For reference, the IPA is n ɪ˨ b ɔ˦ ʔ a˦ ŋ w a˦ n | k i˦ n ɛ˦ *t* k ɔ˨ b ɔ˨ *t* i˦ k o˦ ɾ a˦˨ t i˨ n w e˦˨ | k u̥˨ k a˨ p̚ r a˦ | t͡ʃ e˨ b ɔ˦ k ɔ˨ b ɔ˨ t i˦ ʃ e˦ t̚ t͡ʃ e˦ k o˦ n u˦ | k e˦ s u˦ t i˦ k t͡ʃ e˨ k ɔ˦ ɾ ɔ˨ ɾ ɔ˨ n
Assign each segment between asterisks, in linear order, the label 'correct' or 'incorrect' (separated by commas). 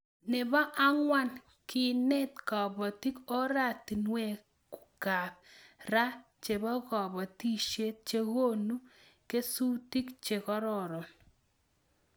correct, correct